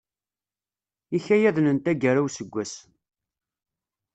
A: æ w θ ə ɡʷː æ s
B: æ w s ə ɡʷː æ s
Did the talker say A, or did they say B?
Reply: B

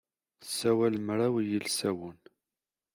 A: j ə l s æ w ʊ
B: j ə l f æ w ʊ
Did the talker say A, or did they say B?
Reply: A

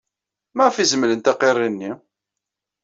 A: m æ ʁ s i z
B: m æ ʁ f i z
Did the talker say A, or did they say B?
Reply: B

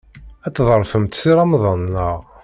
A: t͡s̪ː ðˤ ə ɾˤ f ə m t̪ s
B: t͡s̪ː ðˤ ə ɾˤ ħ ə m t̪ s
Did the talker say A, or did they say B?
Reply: A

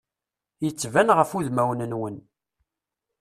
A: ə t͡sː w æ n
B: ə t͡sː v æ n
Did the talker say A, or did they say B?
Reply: B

